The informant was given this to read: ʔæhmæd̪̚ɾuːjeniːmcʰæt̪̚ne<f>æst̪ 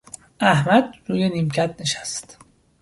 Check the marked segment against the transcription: incorrect: ʃ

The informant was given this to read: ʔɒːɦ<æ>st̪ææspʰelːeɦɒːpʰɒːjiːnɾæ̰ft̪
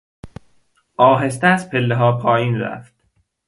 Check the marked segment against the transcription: incorrect: e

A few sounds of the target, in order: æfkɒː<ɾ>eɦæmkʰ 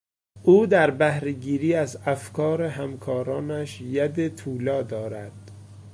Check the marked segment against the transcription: correct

